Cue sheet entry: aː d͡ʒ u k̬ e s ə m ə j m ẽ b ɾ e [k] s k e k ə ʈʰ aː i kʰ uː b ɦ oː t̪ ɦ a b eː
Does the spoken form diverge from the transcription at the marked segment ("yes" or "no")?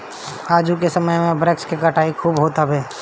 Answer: no